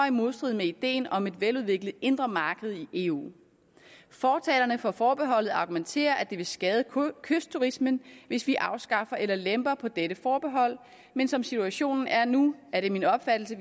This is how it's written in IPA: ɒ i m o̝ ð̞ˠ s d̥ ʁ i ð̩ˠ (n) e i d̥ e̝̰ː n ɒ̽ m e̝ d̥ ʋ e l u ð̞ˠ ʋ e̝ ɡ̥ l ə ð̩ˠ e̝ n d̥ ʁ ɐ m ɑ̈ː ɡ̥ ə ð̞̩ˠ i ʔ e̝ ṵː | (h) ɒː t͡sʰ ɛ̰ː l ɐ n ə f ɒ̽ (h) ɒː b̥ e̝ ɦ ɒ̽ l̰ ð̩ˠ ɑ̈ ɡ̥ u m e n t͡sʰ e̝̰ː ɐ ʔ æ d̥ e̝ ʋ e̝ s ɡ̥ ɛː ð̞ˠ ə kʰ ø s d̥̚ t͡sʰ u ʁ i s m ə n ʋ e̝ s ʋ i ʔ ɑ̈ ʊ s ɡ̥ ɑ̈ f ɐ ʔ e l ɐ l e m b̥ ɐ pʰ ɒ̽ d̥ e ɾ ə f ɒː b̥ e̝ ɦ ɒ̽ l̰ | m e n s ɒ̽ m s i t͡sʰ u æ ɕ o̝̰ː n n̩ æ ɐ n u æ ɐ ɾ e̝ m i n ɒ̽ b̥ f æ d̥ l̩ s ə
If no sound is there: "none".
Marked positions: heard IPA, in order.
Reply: m, f, f

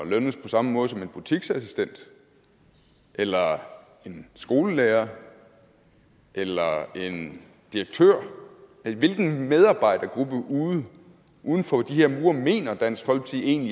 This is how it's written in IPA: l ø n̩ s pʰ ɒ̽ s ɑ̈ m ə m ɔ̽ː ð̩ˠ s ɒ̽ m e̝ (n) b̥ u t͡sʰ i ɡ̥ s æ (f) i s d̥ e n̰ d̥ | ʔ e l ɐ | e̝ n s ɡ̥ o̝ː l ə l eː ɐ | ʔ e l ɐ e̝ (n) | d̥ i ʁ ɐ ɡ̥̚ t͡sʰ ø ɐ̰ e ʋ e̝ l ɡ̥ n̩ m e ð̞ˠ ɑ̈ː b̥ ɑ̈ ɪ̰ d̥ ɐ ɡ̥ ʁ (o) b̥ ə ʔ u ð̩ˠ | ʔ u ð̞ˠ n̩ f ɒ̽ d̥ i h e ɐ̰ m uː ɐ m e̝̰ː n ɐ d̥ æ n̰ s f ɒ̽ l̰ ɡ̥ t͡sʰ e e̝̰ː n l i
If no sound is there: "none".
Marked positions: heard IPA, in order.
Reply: n, s, n, u

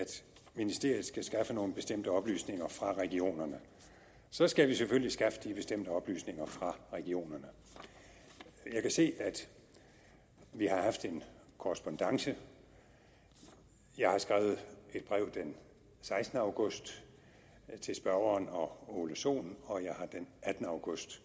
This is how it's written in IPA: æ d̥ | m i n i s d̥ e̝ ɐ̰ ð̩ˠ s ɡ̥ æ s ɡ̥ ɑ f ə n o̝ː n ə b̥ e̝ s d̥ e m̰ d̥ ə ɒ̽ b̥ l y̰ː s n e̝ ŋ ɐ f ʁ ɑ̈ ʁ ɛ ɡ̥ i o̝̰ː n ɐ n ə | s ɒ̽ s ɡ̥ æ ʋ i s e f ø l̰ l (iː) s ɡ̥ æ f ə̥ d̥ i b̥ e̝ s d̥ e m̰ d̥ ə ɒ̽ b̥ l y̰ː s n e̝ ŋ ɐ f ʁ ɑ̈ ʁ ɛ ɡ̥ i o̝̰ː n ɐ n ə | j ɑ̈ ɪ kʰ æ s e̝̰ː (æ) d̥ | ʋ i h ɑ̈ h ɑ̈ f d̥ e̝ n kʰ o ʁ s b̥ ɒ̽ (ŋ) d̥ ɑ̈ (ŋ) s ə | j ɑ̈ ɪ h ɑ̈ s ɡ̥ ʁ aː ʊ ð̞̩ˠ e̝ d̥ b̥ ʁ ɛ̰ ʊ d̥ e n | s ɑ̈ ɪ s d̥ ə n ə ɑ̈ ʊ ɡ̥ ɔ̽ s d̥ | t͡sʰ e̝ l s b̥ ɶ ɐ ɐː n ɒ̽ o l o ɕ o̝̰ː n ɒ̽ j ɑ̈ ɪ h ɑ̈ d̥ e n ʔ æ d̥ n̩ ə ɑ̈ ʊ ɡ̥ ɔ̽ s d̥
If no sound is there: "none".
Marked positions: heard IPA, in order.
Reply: i, æ, n, ŋ

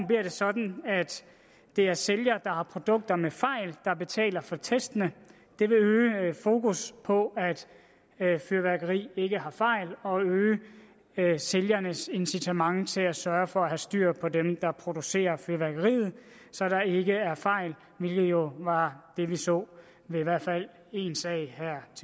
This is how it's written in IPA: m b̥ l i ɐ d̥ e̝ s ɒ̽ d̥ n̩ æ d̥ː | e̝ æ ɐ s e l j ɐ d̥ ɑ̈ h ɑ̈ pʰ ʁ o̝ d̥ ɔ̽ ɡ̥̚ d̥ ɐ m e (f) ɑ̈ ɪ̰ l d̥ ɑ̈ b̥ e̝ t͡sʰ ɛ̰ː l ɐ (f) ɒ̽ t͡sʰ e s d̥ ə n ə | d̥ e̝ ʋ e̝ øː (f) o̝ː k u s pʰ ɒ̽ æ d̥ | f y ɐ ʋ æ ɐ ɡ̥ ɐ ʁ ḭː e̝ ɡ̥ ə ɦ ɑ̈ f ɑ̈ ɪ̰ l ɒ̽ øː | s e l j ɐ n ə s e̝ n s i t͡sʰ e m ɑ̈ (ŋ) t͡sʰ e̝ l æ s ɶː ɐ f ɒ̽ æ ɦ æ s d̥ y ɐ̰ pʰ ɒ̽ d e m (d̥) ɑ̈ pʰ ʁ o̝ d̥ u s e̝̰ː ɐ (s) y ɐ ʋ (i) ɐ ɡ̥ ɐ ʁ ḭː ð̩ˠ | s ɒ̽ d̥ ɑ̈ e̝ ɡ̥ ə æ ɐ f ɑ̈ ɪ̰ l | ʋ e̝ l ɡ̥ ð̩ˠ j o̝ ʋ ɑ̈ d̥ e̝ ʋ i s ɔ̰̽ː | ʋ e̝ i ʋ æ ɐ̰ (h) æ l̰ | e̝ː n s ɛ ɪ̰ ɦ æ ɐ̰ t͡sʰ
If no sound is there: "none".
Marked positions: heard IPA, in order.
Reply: f, f, f, ŋ, d̥, f, æ, f

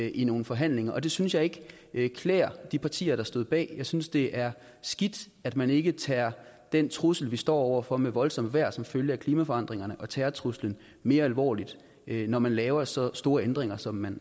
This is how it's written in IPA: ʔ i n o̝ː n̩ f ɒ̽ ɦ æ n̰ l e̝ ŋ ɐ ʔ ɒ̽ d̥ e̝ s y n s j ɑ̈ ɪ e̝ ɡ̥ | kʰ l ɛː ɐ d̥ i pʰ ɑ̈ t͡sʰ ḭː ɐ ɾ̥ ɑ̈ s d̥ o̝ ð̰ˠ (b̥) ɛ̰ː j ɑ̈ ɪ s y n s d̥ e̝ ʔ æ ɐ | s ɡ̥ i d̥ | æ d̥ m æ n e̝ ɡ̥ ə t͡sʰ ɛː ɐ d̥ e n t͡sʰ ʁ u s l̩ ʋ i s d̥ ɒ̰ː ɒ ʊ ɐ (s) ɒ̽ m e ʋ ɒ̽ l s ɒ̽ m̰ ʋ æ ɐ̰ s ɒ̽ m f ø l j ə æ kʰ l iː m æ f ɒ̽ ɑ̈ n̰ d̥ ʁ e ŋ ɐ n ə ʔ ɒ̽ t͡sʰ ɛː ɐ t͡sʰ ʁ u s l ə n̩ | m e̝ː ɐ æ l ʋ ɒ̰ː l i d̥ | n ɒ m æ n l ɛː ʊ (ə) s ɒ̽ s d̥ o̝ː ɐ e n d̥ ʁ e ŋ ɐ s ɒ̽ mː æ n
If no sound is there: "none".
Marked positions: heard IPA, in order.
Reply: b̥, f, ɐ

